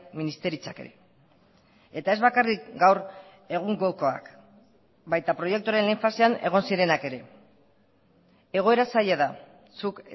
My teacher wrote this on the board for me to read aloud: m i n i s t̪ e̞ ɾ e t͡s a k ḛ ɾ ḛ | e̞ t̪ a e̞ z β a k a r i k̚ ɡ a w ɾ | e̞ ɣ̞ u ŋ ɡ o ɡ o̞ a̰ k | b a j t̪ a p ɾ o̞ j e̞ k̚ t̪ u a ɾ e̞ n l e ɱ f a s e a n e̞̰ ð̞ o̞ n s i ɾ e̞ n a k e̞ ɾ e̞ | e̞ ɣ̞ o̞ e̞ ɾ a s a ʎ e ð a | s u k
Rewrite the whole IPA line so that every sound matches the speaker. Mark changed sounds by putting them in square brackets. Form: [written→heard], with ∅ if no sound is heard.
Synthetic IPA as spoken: m i n i s t̪ e̞ ɾ [e→i] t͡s a k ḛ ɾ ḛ | e̞ t̪ a e̞ z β a k a r i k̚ ɡ a w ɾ | e̞ ɣ̞ u ŋ ɡ o [ɡ→k] o̞ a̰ k | b a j t̪ a p ɾ o̞ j e̞ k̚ t̪ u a ɾ e̞ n l e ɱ f a s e a n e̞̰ [ð̞→ɣ̞] o̞ n s i ɾ e̞ n a k e̞ ɾ e̞ | e̞ ɣ̞ o̞ e̞ ɾ a s a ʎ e ð a | s u k